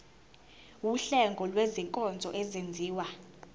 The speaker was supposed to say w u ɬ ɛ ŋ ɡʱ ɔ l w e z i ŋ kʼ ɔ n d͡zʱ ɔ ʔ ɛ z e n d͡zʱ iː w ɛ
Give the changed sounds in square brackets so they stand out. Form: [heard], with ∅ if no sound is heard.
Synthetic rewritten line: w u ɬ ɛ ŋ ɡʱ ɔ l w e z i ŋ kʼ ɔ n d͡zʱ ɔ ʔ ɛ z e n d͡zʱ iː w [a]

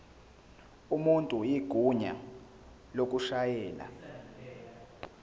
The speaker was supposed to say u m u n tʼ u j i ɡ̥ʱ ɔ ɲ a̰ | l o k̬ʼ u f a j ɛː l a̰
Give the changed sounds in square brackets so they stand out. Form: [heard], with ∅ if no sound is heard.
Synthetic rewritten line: u m u n tʼ u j i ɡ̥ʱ [u] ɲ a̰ | l o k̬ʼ u [ʃ] a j ɛː l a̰

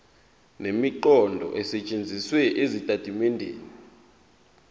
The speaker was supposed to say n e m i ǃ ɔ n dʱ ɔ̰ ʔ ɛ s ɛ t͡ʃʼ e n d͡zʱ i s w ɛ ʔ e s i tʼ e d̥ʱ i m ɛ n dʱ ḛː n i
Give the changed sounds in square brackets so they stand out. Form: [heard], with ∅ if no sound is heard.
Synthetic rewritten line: n e m i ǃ ɔ n dʱ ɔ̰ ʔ ɛ s ɛ t͡ʃʼ e n d͡zʱ i s w ɛ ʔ e [z] i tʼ [a] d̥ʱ i m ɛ n dʱ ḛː n i

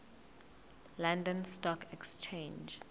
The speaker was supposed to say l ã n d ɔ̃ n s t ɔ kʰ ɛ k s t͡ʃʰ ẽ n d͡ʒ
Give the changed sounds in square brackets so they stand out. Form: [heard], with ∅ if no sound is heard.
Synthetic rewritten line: l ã n d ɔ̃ n s t ɔ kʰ ɛ k s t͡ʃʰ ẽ n d͡ʒ

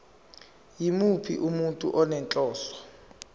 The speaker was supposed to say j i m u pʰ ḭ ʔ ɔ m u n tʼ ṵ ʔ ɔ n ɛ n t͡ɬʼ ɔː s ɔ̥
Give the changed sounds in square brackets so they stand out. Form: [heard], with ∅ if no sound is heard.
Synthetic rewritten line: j i m u pʰ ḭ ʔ [u] m u n tʼ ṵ ʔ ɔ n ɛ n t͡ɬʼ ɔː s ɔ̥

